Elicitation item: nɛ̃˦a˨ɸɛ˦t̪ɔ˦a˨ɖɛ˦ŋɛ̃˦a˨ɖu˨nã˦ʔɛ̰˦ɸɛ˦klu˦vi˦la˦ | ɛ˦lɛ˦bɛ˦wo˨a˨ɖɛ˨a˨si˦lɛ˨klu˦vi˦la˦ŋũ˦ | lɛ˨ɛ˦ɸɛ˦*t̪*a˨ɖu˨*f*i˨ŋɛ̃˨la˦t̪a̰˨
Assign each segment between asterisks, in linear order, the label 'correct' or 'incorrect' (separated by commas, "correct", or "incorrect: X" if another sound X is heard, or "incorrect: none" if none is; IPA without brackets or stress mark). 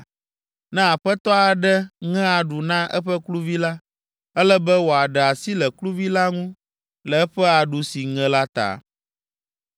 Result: incorrect: none, incorrect: s